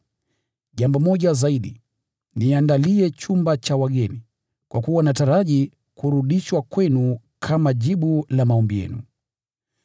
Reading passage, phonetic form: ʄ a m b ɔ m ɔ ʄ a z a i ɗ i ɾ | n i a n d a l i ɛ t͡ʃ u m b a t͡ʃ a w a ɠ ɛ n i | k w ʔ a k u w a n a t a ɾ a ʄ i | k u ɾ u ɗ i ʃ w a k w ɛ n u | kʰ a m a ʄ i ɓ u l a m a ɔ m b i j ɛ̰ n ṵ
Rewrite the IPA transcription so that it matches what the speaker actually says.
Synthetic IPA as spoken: ʄ a m b ɔ m ɔ ʄ a z a i ɗ i | n i a n d a l i ɛ t͡ʃ u m b a t͡ʃ a w a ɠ ɛ n i | k w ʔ a k u w a n a t a ɾ a ʄ i | k u ɾ u ɗ i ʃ w a k w ɛ n u | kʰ a m a ʄ i ɓ u l a m a ɔ m b i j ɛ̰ n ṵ